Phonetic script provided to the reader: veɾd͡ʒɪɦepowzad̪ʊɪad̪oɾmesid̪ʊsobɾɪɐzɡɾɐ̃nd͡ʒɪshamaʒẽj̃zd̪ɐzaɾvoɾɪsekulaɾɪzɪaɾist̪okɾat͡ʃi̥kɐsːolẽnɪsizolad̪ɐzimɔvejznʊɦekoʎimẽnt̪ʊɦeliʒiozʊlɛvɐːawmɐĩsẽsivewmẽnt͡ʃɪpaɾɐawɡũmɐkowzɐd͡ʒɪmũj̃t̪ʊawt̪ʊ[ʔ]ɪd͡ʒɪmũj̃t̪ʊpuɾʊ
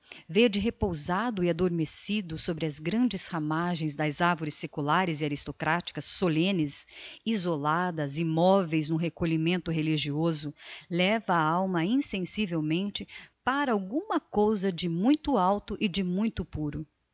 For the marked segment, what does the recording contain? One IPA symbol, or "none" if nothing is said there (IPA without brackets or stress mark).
ʔ